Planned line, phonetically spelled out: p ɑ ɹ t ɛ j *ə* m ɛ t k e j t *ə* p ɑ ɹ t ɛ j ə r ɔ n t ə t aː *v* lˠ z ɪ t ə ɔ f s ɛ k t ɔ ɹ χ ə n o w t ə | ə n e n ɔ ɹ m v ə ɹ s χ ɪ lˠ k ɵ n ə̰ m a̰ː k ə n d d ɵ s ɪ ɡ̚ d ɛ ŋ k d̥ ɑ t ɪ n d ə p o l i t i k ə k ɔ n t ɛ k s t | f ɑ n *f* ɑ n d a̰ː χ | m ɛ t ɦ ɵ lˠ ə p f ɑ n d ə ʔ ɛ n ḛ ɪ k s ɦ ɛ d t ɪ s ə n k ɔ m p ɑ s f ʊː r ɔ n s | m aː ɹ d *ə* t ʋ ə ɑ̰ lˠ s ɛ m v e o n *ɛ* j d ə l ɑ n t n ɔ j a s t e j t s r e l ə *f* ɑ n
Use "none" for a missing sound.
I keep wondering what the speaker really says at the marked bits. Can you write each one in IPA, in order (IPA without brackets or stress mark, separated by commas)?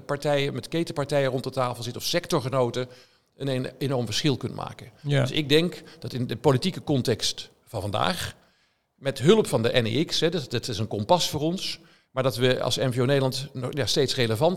ə, ə, f, v, ɑ, e, v